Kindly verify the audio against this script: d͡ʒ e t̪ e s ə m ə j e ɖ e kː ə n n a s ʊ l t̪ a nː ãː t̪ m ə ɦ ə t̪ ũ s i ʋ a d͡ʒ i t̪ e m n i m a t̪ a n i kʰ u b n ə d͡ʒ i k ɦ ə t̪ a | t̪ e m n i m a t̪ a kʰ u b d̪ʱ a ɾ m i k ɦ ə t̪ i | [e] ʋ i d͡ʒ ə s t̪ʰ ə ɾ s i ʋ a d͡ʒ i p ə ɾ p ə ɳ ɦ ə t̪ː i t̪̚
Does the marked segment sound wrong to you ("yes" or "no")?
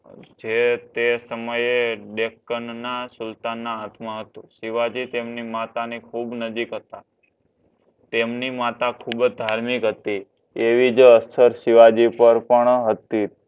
no